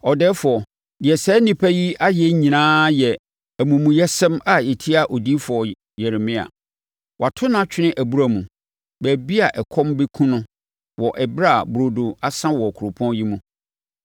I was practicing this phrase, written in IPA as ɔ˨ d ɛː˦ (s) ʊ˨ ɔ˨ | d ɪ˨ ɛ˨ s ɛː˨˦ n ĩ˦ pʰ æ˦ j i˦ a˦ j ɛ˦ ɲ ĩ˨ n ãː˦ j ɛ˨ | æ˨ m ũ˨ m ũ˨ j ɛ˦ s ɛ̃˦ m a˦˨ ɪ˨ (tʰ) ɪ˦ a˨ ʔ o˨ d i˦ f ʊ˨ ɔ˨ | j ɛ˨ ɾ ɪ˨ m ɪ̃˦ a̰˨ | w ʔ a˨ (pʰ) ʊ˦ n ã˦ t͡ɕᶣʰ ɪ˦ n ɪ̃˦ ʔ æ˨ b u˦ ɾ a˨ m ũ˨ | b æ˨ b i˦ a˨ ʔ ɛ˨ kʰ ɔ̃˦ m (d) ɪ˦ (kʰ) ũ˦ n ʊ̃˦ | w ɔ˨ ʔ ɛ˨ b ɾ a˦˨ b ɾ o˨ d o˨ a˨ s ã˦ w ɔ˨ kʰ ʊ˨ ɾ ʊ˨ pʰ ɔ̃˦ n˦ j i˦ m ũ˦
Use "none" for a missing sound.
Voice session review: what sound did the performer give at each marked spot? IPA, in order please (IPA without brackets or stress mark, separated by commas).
f, tʰ, tʰ, b, kʰ